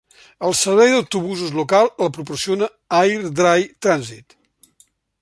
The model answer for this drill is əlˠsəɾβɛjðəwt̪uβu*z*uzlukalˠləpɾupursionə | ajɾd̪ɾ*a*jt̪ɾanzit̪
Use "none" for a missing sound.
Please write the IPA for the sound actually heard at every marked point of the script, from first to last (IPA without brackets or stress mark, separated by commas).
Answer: z, a